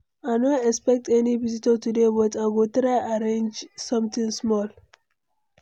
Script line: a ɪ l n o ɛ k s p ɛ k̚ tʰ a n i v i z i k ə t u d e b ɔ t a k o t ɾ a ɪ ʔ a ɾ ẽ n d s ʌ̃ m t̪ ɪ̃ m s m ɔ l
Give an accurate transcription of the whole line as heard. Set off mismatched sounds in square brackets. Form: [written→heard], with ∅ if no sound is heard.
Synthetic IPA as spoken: a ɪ [l→∅] n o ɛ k s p ɛ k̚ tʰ [a→ɛ] n i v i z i [k→t] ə t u d e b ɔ t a [k→ɡ] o t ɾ a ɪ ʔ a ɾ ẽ n [d→d͡ʒ] s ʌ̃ m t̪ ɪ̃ [m→ŋ] s m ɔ l